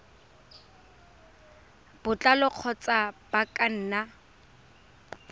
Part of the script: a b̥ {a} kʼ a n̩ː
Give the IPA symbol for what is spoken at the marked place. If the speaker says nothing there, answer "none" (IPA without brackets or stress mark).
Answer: a